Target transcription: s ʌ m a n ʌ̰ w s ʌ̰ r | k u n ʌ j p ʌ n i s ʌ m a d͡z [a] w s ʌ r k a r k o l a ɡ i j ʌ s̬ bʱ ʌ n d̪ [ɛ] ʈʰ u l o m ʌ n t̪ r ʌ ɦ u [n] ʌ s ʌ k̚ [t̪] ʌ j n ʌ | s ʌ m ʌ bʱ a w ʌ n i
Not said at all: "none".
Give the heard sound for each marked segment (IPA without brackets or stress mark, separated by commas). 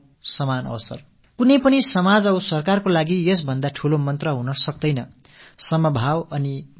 ʌ, a, n, d̪